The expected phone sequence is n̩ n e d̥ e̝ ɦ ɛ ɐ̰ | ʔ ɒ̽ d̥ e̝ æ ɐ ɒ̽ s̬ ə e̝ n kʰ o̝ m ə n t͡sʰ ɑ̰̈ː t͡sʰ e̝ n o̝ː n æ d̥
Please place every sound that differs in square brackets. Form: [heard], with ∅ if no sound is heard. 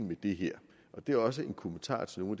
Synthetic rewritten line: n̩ [m] e d̥ e̝ ɦ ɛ ɐ̰ | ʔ ɒ̽ d̥ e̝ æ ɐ ɒ̽ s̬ ə e̝ n kʰ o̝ m ə n t͡sʰ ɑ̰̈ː t͡sʰ e̝ n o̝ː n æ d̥